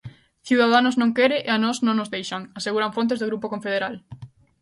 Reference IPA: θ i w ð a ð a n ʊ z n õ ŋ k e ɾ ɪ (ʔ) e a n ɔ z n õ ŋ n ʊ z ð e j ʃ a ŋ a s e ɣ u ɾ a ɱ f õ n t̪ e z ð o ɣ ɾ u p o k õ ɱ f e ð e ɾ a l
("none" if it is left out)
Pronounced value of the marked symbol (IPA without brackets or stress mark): ʔ